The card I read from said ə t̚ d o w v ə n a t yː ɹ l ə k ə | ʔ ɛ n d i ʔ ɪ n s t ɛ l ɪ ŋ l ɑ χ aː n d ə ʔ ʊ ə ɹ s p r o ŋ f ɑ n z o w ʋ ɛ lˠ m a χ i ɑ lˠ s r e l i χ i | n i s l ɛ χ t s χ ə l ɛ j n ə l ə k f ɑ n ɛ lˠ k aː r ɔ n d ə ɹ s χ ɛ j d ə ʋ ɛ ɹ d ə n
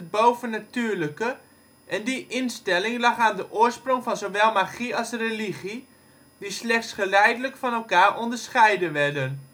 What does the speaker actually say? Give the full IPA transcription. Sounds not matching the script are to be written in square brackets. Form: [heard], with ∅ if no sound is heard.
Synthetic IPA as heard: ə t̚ [b] o w v ə n a t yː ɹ l ə k ə | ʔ ɛ n d i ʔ ɪ n s t ɛ l ɪ ŋ l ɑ χ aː n d ə ʔ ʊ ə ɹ s p r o ŋ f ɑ n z o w ʋ ɛ lˠ m a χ i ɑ lˠ s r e l i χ i | [d] i s l ɛ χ t s χ ə l ɛ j [d] ə l ə k f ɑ n ɛ lˠ k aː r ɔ n d ə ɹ s χ ɛ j d ə ʋ ɛ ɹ d ə n